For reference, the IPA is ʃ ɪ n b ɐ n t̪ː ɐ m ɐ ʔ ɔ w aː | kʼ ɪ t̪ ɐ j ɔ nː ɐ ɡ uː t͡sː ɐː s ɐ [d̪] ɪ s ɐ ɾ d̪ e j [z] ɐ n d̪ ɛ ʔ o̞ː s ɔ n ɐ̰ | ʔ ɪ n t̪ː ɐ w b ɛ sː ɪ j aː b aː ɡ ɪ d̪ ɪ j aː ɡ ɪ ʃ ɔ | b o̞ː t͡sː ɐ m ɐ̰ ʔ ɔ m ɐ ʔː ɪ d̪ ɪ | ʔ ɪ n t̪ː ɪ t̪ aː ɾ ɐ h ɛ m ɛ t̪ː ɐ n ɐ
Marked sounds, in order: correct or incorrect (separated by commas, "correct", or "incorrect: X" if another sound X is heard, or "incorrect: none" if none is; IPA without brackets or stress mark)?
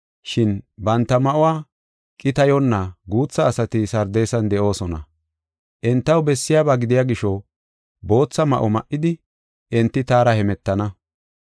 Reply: incorrect: t̪, incorrect: s